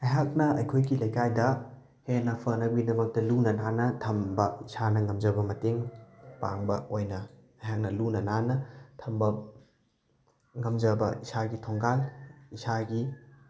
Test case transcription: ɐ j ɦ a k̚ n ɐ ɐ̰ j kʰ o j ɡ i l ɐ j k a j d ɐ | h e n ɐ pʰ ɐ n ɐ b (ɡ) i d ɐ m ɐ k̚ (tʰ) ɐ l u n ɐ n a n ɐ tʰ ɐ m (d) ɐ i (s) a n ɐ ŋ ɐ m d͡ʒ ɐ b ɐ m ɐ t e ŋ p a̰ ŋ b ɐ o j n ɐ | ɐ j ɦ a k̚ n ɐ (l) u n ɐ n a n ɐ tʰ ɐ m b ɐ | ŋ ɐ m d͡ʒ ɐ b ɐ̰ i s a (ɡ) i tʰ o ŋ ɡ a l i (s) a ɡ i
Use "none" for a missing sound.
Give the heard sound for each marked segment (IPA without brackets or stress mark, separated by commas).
ɡ, t, b, s, l, ɡ, s